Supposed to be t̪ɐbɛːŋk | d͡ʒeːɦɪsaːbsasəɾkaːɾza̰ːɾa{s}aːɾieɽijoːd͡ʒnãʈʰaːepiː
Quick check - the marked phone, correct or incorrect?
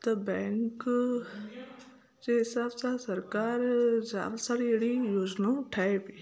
correct